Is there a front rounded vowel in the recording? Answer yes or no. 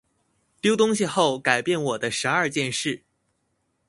no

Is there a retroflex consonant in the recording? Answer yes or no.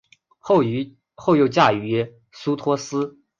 no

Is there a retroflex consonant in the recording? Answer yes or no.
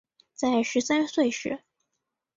yes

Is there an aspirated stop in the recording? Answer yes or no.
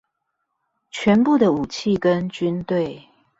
yes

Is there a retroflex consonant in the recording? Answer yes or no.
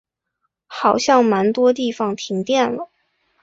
no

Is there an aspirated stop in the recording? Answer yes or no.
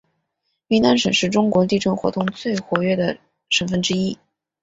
no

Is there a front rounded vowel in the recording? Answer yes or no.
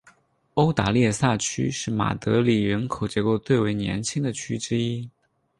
yes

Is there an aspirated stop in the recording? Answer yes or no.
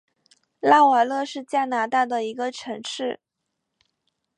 yes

